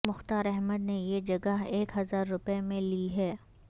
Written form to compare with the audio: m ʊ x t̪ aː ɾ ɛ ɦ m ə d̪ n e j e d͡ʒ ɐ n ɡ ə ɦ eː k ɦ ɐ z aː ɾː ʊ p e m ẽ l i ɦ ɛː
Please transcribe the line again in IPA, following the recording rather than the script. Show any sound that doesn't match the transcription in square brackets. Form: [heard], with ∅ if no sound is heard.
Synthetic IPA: m ʊ x t̪ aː ɾ ɛ ɦ m ə d̪ n e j e d͡ʒ ɐ [∅] ɡ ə ɦ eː k ɦ ɐ z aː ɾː ʊ p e m ẽ l i ɦ ɛː